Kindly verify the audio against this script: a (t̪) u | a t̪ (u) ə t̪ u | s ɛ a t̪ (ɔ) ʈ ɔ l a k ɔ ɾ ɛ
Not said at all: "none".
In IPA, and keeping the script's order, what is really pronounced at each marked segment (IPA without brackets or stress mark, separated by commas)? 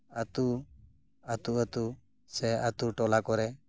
t̪, u, u